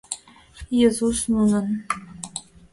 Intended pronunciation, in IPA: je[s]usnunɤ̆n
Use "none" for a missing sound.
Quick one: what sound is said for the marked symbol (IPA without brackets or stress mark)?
z